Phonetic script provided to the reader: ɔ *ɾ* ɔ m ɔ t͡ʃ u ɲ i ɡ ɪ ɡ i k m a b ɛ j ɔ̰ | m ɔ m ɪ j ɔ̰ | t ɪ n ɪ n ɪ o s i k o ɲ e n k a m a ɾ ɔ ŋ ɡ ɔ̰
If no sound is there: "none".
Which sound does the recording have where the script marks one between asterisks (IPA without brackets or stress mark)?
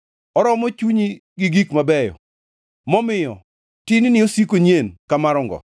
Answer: ɾ